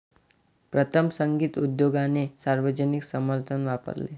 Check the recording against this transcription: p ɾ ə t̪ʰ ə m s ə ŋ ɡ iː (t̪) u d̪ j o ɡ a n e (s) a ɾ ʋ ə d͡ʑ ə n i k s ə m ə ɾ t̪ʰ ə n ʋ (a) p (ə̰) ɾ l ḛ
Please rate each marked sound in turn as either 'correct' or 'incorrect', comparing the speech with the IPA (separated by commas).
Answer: correct, correct, correct, correct